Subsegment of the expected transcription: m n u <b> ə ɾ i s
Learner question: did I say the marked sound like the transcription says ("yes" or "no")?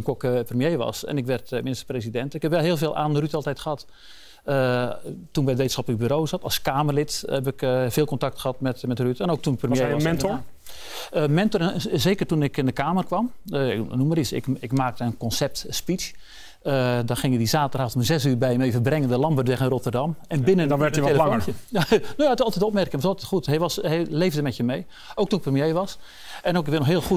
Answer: no